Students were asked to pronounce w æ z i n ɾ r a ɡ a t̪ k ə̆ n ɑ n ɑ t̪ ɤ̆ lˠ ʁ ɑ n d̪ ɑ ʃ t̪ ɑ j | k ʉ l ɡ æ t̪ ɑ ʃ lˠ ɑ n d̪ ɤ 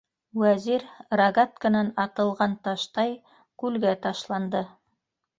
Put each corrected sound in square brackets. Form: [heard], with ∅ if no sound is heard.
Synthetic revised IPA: w æ z i [∅] ɾ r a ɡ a t̪ k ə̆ n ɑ n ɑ t̪ ɤ̆ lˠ ʁ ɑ n [t̪] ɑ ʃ t̪ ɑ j | k ʉ l ɡ æ t̪ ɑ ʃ lˠ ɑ n d̪ ɤ